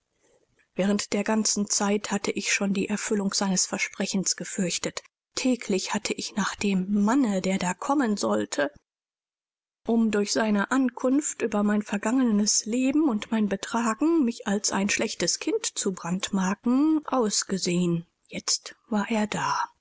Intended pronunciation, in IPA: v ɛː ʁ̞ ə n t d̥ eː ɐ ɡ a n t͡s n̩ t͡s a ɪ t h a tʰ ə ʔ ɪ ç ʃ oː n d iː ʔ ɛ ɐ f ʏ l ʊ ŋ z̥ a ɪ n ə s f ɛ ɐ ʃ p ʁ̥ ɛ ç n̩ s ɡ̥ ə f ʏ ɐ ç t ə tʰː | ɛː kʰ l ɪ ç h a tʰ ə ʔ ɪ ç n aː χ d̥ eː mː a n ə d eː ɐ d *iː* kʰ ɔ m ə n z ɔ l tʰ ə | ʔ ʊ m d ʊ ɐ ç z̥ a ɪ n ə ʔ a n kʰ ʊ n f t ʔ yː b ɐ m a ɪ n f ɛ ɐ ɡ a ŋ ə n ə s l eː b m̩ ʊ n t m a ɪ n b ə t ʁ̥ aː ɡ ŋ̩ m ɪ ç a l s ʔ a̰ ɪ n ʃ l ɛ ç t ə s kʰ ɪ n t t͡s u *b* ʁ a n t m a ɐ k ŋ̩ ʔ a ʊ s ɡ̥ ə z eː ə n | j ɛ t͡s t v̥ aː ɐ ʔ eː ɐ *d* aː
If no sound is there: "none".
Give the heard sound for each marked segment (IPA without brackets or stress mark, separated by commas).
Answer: aː, b, d